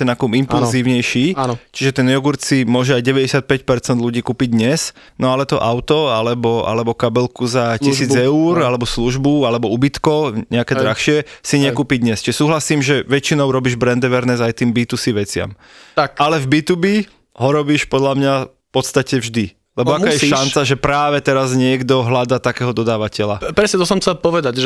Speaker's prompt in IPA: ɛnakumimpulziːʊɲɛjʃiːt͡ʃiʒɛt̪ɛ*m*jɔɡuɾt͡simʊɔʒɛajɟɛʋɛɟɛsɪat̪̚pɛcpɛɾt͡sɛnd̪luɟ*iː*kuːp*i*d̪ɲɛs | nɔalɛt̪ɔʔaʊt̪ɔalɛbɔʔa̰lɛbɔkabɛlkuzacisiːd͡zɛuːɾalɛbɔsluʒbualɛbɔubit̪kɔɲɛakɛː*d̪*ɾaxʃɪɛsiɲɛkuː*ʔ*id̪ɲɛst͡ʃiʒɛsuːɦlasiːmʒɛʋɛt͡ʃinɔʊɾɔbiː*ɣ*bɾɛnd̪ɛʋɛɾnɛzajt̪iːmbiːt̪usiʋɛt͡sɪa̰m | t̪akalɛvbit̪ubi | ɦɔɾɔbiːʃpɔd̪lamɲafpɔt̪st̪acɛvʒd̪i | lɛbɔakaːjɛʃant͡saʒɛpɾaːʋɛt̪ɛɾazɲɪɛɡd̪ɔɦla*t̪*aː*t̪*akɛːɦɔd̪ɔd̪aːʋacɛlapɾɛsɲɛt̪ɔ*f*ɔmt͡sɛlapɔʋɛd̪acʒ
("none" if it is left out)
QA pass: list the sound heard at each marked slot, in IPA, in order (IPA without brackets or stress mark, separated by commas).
n, iː, i, d̪, p, ʒ, d̪, t̪, s